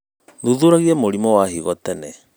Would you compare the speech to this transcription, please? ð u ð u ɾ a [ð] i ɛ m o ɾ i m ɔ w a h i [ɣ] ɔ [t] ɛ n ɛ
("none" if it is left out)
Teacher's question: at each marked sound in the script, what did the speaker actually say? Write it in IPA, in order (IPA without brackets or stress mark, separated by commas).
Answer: ɣ, ɣ, t